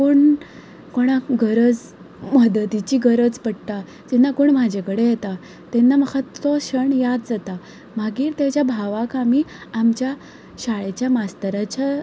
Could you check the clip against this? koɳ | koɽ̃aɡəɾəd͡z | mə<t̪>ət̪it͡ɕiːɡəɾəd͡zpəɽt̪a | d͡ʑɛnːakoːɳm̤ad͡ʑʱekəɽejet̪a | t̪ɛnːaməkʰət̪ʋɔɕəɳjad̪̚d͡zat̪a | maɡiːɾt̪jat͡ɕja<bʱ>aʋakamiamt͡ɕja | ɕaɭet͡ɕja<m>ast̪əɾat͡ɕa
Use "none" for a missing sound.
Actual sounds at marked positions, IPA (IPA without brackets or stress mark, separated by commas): d̪, bʱ, m